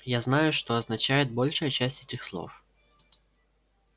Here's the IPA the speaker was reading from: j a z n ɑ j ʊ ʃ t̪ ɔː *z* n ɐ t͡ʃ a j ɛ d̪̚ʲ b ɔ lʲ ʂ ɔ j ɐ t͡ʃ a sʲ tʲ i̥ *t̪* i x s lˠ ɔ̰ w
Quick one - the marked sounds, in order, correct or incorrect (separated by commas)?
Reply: correct, correct